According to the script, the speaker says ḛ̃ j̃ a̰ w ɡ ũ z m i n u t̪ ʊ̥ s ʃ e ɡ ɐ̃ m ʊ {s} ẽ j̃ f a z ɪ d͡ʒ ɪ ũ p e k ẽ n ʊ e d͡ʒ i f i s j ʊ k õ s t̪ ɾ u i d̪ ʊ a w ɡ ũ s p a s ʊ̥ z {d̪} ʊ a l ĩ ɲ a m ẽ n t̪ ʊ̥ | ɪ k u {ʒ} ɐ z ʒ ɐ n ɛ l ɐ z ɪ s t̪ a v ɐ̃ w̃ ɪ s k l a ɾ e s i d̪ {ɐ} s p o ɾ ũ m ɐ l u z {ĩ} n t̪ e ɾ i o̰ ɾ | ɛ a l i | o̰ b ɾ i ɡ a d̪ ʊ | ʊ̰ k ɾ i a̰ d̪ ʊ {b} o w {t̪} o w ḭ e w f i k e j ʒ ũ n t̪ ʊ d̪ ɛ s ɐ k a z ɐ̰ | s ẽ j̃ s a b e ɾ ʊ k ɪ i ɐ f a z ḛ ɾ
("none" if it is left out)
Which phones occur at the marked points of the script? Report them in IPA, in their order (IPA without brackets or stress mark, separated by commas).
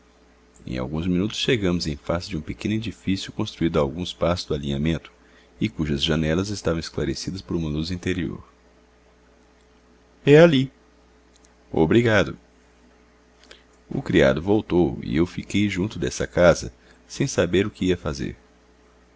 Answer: z, d̪, ʒ, ɐ, ĩ, v, t̪